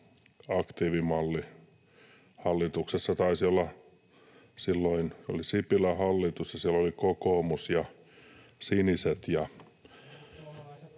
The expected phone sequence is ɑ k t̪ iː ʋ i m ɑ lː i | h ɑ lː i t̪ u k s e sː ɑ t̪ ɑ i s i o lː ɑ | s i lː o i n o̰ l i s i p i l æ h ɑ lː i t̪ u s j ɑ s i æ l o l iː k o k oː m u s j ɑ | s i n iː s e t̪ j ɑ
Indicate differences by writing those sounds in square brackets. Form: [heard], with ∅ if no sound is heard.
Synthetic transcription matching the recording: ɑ k t̪ iː ʋ i m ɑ lː i | h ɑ lː i t̪ u k s e sː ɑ t̪ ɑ i s i o lː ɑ | s i lː o i n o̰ l i s i p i l æ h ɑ lː i t̪ u s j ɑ s i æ l o l [i] k o k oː m u s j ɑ | s i n [i] s e t̪ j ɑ